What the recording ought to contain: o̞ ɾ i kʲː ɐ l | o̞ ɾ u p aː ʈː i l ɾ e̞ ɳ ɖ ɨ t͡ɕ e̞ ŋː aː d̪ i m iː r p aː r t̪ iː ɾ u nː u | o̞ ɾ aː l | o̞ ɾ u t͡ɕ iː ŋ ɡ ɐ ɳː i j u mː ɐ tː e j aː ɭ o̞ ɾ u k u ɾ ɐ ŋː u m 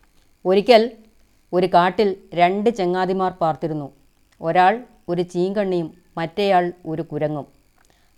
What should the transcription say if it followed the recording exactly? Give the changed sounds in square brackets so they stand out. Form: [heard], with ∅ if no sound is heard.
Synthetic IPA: o̞ ɾ i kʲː ɐ l | o̞ ɾ u [k] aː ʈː i l ɾ e̞ ɳ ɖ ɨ t͡ɕ e̞ ŋː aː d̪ i m [aː] r p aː r t̪ [i] ɾ u nː u | o̞ ɾ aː [ɭ] | o̞ ɾ u t͡ɕ iː ŋ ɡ ɐ ɳː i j u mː ɐ tː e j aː ɭ o̞ ɾ u k u ɾ ɐ ŋː u m